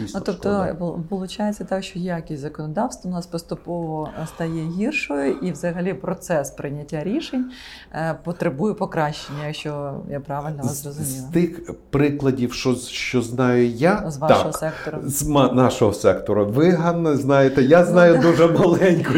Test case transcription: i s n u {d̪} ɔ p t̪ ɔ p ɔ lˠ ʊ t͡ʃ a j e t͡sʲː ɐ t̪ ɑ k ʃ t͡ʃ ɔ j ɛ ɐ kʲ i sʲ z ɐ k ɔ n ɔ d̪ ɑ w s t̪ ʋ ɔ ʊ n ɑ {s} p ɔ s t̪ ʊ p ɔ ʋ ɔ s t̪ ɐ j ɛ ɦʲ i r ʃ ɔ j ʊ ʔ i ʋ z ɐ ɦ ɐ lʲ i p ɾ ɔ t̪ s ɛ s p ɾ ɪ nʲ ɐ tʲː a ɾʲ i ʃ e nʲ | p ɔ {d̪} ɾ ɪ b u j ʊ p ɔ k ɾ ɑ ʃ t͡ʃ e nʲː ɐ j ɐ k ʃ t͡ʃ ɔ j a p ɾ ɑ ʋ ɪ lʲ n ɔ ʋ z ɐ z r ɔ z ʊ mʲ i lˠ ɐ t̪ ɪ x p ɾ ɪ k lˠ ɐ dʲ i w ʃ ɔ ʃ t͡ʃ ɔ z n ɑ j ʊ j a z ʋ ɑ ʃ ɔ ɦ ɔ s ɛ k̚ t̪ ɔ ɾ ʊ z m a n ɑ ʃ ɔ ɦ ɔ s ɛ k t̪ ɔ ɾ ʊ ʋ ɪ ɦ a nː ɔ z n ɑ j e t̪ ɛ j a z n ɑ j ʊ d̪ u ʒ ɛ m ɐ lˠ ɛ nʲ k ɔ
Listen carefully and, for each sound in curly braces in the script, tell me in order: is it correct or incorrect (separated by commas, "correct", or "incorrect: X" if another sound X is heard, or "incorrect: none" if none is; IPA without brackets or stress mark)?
incorrect: t̪, correct, incorrect: t̪